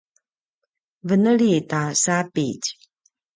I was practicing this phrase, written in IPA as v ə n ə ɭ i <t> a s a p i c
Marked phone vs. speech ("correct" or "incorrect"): correct